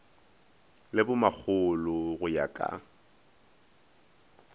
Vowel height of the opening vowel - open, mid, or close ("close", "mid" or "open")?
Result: close